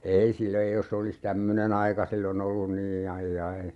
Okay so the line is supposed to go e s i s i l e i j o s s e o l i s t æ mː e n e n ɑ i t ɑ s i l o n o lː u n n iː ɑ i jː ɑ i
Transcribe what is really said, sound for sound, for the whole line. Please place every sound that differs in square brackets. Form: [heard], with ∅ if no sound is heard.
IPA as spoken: e [∅] i s i l e i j o s s e o l i s t æ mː [ø] n e n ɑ i [k] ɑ s i [lː] o n o lː u n n iː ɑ i jː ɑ i